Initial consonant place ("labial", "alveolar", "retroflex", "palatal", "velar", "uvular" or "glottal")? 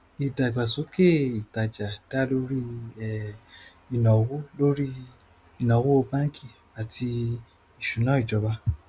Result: alveolar